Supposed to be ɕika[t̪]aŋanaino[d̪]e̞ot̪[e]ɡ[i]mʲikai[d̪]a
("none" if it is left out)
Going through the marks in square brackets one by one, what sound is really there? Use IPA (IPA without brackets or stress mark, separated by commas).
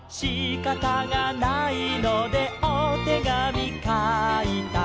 t̪, d̪, e, a, t̪